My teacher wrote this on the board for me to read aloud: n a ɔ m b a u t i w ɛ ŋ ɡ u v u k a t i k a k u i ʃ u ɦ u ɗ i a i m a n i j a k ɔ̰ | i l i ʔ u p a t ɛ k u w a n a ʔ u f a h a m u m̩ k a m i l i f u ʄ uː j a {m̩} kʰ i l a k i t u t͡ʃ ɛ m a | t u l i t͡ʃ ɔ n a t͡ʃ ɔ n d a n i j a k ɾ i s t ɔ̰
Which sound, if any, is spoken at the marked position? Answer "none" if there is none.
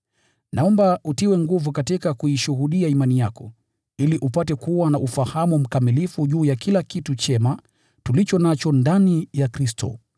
none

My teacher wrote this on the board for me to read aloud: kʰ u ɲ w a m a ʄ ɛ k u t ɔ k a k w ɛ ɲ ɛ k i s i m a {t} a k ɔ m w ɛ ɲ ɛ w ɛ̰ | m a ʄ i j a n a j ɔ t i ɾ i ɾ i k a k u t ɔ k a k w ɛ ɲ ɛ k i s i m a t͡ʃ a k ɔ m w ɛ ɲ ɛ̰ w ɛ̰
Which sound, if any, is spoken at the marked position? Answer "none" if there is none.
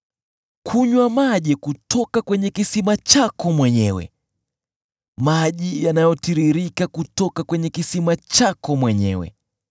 t͡ʃ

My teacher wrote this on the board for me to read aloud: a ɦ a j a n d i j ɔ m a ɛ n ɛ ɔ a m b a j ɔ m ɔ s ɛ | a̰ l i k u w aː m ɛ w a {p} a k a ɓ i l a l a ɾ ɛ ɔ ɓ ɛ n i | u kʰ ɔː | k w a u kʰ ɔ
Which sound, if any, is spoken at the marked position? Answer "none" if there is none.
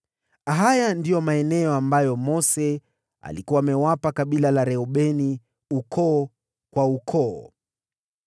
p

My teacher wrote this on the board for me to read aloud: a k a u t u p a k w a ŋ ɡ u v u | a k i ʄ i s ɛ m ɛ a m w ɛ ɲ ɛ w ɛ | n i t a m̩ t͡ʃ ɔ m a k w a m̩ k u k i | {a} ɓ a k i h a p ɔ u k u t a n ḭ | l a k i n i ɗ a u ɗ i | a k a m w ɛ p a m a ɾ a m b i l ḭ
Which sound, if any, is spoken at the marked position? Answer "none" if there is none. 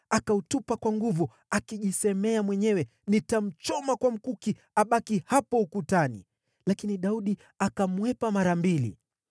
a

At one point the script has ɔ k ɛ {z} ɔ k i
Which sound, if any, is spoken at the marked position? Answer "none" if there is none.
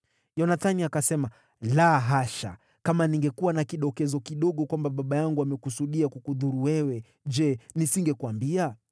z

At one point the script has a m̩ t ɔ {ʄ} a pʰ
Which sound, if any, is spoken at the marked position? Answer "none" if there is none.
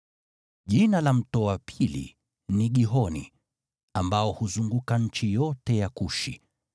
none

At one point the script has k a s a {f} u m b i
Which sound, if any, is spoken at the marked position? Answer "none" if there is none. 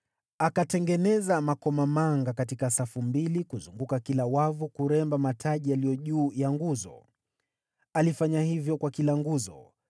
f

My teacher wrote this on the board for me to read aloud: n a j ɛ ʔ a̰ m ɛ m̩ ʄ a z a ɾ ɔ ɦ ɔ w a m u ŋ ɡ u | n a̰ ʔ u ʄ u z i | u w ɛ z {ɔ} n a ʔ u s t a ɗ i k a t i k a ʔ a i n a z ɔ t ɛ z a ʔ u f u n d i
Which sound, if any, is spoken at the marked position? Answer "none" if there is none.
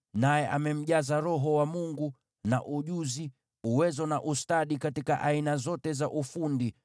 ɔ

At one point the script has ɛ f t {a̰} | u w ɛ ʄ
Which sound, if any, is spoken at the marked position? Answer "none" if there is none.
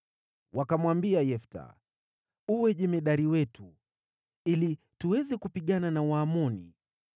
a̰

